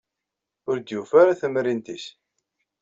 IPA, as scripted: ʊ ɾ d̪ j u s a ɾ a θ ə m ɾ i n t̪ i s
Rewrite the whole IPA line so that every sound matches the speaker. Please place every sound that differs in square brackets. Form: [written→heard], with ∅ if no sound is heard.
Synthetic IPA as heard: ʊ ɾ d̪ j u [s→f] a ɾ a θ ə m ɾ i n t̪ i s